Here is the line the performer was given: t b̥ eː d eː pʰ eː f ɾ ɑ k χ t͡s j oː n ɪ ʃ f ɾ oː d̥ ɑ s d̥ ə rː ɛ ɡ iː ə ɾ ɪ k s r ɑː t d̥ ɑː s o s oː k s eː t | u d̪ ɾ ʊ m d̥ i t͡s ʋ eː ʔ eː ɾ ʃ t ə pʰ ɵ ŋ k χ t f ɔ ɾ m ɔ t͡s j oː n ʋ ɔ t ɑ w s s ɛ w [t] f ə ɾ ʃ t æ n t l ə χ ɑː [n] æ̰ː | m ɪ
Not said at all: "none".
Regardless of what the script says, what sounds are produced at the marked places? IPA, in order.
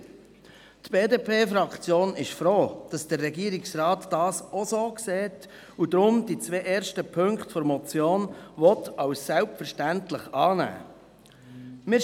p, n

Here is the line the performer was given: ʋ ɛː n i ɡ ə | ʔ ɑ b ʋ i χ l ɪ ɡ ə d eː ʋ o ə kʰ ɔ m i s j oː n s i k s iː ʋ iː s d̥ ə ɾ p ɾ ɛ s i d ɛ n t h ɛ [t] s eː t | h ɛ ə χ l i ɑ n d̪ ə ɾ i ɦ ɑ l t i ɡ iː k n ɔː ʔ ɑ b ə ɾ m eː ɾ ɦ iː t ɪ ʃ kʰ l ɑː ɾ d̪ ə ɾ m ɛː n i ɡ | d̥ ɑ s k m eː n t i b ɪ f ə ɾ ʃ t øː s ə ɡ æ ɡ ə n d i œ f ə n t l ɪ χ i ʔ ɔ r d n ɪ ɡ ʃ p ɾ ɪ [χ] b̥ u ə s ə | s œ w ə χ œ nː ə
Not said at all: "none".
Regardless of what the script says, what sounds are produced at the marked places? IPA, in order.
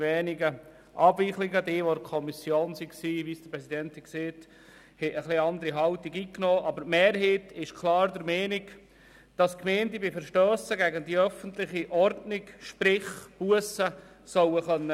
k, χ

